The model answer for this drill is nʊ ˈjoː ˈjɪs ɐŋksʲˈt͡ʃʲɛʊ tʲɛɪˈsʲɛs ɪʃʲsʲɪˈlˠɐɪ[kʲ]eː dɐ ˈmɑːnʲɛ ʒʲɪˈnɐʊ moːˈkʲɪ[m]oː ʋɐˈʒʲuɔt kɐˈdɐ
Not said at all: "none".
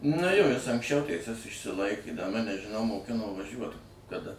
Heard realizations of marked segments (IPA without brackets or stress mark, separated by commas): kʲ, n